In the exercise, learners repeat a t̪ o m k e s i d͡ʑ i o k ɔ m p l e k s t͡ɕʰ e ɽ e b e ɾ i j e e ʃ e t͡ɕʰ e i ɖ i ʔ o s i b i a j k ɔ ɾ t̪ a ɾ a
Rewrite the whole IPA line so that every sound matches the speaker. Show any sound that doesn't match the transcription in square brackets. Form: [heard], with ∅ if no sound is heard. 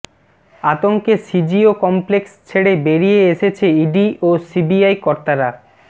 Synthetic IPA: a t̪ o [ŋ] k e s i d͡ʑ i o k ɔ m p l e k s t͡ɕʰ e ɽ e b e ɾ i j e e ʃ e t͡ɕʰ e i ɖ i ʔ o s i b i a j k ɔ ɾ t̪ a ɾ a